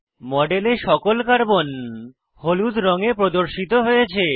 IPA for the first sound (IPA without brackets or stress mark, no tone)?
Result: m